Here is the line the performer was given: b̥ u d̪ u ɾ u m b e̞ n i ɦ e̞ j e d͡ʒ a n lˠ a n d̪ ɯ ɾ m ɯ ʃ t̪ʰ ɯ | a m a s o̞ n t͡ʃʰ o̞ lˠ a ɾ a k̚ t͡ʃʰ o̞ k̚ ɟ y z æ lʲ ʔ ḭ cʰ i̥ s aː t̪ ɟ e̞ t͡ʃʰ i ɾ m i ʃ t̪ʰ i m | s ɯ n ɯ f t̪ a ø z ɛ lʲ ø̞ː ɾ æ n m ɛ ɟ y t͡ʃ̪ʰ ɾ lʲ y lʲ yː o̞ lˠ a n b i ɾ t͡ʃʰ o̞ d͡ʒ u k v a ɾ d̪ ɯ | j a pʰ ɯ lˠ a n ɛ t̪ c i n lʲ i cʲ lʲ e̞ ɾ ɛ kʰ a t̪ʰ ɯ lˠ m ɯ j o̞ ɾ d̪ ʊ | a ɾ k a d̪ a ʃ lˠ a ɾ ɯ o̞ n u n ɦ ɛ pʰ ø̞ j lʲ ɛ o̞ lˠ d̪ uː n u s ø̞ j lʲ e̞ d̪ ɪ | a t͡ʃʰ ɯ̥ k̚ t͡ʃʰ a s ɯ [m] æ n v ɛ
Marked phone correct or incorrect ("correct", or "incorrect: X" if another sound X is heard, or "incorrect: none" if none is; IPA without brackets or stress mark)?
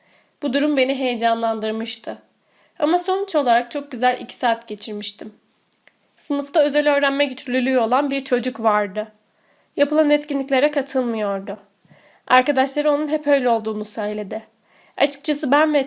incorrect: b